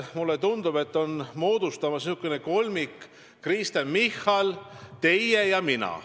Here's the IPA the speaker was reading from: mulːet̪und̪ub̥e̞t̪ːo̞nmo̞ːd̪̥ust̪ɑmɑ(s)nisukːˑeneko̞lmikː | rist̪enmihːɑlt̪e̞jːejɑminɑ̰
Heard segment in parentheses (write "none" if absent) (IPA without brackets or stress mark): s